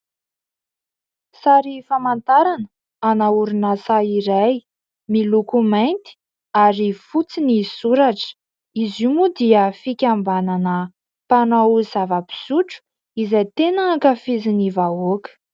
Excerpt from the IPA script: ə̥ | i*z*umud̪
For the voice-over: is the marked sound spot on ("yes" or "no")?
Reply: yes